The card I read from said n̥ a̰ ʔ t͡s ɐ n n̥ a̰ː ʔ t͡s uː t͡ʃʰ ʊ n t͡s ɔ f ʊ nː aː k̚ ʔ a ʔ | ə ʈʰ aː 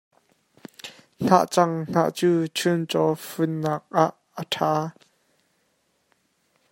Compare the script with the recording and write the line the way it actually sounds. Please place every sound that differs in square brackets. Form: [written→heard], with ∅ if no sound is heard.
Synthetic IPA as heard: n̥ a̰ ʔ t͡s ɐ [n→ŋ] n̥ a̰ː ʔ t͡s uː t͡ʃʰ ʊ n t͡s ɔ f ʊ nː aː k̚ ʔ a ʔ | ə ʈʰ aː